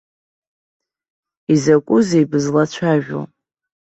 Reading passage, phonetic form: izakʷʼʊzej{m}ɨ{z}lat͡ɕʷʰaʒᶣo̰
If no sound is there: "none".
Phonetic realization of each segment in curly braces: b, z

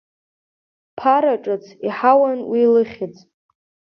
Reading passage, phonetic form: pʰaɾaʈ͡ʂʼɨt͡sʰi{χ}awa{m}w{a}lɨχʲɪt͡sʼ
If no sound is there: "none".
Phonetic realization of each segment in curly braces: ħ, n, i

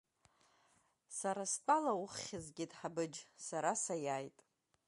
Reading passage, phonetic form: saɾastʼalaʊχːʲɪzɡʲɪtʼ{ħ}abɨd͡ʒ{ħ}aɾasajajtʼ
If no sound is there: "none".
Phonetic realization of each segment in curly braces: ħ, s

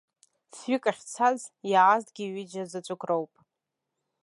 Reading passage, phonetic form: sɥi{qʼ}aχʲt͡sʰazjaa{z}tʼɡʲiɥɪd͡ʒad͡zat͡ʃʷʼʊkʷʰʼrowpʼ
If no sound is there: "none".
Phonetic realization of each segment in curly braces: kʼ, z

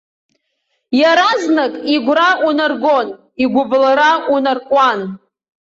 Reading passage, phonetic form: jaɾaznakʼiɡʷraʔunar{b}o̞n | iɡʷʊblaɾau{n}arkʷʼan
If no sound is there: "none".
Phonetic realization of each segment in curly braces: ɡ, n

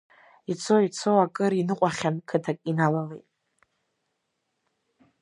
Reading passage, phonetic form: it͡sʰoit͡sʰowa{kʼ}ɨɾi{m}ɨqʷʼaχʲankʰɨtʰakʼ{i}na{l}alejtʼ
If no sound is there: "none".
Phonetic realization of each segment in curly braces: kʼ, n, i, l

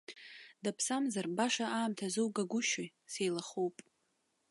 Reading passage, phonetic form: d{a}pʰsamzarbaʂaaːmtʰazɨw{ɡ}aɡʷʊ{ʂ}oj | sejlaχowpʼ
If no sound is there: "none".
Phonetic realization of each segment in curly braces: a, ɡ, ʃ

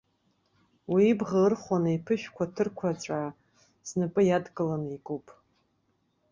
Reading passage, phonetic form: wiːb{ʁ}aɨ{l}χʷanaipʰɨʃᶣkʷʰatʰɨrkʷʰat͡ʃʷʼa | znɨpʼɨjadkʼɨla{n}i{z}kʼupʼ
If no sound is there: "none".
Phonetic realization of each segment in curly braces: ʁ, r, n, none

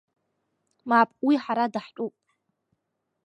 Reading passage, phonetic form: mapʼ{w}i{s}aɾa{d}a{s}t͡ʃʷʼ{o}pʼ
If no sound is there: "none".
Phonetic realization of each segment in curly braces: w, ħ, d, ħ, u

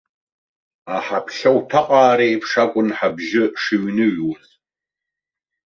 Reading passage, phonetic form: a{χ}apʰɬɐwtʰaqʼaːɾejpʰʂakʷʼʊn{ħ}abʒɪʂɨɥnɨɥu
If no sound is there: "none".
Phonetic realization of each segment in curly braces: ħ, ħ

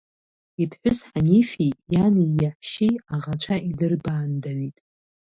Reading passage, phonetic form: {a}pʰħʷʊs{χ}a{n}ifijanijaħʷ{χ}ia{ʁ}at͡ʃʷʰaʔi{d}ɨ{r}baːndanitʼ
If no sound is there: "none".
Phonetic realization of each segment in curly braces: i, ħ, n, ʃ, ʁ, d, r

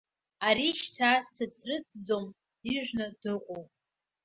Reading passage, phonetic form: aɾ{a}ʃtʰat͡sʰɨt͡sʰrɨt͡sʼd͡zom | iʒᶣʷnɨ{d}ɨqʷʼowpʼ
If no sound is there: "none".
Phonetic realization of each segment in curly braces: i, d

